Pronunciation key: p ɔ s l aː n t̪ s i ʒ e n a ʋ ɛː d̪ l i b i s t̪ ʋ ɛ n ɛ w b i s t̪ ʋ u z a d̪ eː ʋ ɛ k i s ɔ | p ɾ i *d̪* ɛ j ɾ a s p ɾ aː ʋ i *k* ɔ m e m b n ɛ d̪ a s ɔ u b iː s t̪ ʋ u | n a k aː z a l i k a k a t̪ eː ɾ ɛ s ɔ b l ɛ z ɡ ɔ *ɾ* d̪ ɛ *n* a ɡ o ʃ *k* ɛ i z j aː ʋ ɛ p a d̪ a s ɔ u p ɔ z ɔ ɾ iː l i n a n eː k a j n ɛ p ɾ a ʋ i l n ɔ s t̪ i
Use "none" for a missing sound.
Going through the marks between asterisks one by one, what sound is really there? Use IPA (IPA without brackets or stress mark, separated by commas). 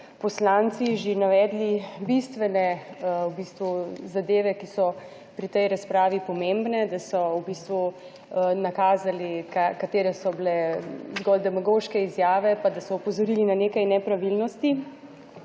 t̪, p, l, m, k